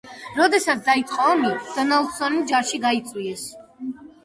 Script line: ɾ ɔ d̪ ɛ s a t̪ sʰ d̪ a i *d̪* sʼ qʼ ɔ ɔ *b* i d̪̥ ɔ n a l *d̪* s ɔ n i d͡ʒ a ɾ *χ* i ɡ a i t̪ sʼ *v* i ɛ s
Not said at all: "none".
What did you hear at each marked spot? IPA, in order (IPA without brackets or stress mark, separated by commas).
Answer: t̪, m, d̪, ʃ, w